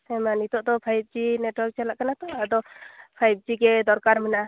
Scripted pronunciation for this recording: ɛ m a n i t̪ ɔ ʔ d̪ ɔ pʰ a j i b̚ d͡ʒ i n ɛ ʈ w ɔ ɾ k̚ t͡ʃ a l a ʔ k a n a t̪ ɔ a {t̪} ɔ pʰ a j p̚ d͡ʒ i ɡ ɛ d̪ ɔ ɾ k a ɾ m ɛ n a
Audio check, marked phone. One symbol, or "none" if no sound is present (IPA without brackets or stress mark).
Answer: d̪